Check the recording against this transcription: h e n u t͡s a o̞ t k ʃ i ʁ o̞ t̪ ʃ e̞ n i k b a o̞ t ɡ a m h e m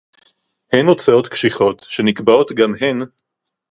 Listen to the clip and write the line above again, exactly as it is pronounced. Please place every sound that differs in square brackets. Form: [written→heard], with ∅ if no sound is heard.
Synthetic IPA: h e n [u→o] t͡s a o̞ t k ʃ i [ʁ→χ] o̞ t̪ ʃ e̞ n i k b a o̞ t ɡ a m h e [m→n]